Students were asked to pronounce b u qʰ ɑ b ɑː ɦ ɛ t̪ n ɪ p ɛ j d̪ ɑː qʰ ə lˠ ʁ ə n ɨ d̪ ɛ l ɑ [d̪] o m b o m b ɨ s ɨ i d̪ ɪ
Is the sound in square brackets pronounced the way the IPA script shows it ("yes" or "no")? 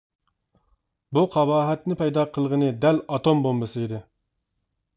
no